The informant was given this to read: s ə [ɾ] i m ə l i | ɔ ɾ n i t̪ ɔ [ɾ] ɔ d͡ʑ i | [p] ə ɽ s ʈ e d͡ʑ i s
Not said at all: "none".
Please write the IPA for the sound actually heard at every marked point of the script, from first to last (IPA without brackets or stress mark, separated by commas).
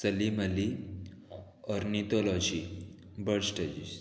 l, l, b